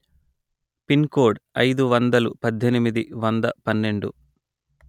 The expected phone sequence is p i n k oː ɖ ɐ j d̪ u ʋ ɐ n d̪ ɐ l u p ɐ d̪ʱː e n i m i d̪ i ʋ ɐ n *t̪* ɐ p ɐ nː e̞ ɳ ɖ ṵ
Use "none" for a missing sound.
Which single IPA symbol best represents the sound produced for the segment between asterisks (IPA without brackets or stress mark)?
d̪